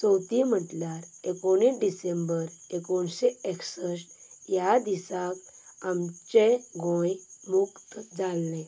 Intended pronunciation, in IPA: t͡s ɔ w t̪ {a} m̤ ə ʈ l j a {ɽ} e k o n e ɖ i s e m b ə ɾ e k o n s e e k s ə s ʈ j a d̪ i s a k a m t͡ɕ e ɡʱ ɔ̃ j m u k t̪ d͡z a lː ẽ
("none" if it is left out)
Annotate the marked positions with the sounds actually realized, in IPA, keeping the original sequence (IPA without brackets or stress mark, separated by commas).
i, ɾ